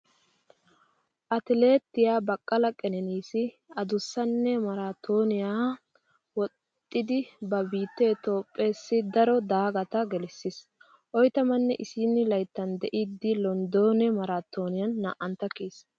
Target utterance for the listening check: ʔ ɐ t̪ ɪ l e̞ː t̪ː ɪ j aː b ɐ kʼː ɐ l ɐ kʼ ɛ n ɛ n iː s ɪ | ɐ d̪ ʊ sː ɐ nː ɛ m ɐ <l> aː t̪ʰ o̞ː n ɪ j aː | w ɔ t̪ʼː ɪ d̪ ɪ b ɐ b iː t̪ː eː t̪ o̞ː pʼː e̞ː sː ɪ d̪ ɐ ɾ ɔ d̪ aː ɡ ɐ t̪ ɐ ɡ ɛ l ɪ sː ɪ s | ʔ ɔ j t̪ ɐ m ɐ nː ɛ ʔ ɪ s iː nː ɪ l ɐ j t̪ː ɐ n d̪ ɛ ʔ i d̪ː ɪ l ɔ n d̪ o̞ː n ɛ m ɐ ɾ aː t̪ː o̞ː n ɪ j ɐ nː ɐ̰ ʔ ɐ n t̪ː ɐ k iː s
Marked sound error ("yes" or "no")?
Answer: yes